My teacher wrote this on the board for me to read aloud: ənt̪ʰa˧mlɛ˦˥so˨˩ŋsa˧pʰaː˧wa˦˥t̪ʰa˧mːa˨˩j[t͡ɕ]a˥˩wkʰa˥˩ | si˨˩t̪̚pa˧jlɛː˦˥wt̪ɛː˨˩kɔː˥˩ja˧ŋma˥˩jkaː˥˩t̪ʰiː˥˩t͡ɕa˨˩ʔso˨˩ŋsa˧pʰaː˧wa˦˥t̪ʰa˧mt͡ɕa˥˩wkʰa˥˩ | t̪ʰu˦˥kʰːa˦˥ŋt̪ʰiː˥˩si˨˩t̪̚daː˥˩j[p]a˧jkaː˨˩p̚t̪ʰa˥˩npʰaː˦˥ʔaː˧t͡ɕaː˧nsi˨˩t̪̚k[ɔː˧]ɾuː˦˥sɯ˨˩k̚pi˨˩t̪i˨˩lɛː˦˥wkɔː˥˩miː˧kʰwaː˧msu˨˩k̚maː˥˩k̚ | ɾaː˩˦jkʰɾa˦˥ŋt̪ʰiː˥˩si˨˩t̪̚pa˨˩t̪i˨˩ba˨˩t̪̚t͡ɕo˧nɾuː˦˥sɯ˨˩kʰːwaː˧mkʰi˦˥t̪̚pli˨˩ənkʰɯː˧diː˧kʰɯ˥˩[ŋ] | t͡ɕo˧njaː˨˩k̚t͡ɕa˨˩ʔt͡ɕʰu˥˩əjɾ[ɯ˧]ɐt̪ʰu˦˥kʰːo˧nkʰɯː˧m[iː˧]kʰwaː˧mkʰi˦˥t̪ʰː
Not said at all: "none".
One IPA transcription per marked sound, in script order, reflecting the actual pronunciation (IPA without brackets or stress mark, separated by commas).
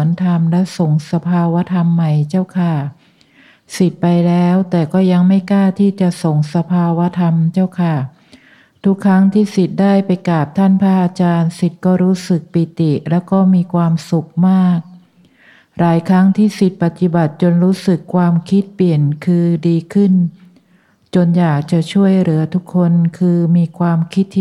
t͡ɕ, p, ɔː˥˩, n, ɯ˩˦, iː˧